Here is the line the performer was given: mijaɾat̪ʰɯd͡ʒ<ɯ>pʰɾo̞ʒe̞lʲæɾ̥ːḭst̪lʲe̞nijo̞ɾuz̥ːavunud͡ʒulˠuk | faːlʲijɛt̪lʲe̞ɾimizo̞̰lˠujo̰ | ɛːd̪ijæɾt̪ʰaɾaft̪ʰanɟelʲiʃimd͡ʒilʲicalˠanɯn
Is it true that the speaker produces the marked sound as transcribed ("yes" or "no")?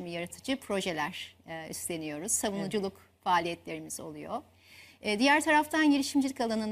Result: yes